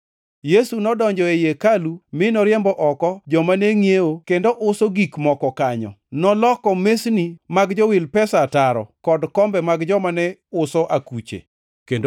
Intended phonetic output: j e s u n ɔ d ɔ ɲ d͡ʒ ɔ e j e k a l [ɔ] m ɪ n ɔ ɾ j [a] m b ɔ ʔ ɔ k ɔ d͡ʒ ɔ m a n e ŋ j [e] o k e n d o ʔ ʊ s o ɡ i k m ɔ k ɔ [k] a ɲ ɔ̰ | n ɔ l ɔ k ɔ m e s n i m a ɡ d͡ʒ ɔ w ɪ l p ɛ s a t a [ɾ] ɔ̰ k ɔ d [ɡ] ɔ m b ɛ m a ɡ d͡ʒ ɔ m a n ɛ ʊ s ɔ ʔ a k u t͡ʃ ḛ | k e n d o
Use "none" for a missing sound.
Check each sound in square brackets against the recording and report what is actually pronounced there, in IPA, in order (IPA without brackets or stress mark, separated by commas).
u, ɛ, e, k, ɾ, k